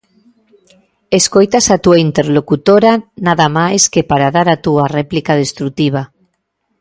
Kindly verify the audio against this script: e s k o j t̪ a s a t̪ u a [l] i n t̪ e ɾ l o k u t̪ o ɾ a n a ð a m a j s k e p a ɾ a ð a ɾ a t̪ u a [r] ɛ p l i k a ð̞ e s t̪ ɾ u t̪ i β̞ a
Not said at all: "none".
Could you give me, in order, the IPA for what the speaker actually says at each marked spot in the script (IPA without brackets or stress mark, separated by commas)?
none, r